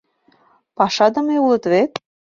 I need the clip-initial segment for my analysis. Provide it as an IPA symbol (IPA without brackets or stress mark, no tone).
p